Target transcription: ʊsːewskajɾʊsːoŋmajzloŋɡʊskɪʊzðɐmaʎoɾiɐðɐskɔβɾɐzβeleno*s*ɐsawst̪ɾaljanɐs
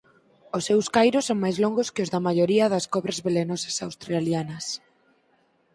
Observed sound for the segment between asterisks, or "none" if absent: s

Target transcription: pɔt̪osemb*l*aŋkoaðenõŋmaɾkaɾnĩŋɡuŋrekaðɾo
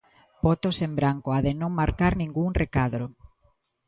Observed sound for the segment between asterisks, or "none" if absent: ɾ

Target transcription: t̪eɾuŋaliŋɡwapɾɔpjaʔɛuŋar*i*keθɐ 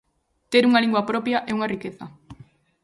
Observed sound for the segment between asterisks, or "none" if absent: i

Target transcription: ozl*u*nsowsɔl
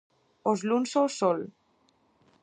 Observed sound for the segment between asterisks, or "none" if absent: u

